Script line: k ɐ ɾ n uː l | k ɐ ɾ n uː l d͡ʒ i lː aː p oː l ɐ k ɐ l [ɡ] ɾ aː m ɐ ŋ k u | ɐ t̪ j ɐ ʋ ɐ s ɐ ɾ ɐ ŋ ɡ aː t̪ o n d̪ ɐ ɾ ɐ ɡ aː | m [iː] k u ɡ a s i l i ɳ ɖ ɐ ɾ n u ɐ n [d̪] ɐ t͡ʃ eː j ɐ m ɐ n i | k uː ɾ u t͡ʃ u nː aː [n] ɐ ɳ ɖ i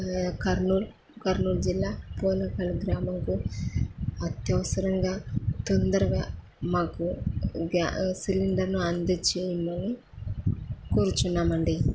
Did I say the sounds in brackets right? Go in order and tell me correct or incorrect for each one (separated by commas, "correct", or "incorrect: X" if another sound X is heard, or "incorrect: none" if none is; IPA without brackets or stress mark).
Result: correct, incorrect: aː, correct, incorrect: m